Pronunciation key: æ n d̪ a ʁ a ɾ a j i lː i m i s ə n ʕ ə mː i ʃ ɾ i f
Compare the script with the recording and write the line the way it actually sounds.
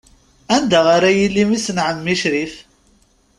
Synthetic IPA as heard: æ n d̪ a ʁ a ɾ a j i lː i m i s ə n ʕ ə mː i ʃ ɾ i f

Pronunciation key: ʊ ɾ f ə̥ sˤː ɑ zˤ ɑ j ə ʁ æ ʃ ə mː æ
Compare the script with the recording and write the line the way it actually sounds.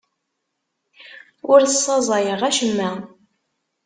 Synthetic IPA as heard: ʊ ɾ θ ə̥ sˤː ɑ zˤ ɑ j ə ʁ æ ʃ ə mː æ

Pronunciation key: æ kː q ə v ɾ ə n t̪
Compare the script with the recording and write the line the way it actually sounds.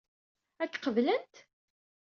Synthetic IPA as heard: æ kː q ə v l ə n t̪

